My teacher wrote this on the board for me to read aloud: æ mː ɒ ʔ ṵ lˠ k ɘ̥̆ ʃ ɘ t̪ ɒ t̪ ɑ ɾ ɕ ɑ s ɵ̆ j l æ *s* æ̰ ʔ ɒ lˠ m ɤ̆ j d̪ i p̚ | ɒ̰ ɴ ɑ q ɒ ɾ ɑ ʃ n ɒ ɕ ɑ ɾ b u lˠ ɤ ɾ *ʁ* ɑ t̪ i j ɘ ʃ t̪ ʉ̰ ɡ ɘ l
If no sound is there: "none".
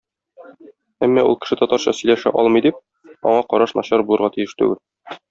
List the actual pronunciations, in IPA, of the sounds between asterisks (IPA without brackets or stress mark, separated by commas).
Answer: ʃ, ʁ